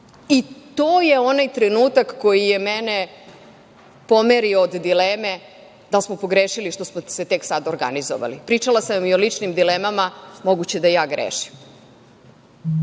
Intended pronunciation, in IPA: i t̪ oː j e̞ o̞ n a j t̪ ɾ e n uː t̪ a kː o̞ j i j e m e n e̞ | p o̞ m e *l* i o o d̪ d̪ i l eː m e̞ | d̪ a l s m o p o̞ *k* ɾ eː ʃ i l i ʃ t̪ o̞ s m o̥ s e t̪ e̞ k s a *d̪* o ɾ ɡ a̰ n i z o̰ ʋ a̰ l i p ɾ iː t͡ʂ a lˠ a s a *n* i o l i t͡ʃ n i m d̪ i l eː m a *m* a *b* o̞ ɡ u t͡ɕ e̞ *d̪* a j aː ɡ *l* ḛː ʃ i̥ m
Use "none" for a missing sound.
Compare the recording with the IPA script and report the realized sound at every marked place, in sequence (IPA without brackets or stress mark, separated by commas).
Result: ɾ, ɡ, d̪, m, m, m, d̪, ɾ